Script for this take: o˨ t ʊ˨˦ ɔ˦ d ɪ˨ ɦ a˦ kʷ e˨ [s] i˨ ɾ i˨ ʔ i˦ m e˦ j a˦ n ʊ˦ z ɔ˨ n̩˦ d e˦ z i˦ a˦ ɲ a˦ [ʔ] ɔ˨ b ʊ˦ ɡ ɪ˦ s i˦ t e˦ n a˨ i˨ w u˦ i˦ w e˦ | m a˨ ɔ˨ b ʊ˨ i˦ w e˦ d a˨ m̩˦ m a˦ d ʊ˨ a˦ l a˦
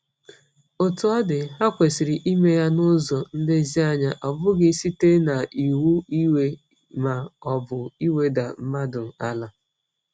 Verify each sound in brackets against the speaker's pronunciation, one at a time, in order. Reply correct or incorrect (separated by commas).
correct, correct